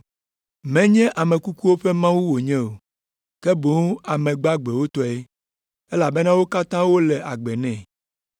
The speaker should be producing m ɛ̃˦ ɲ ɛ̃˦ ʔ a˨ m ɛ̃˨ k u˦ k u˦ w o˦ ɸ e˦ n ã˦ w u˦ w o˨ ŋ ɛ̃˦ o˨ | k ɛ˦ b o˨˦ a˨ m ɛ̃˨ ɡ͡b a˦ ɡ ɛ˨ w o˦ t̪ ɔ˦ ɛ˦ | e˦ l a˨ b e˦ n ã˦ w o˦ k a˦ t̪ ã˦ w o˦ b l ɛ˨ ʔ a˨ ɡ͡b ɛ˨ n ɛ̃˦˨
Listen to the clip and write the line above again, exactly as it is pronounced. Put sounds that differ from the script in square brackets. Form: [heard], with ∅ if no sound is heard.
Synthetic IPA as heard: m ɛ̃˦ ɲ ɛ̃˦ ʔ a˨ m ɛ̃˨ k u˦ k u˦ w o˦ ɸ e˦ [m] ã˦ w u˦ w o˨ [ɲ] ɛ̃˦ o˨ | k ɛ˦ b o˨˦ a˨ m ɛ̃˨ ɡ͡b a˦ [ɡ͡b] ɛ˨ w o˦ t̪ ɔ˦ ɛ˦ | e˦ l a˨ b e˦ n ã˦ w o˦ k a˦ t̪ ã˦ w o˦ [∅] l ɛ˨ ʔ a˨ ɡ͡b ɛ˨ n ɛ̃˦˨